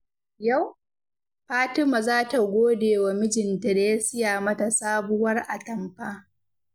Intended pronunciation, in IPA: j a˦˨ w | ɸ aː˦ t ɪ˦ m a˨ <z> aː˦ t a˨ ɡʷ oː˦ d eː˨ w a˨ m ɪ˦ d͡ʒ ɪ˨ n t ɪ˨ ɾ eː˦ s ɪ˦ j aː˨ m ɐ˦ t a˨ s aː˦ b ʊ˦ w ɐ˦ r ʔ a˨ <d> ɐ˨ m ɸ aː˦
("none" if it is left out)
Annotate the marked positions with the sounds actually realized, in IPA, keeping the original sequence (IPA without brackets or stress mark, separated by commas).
z, t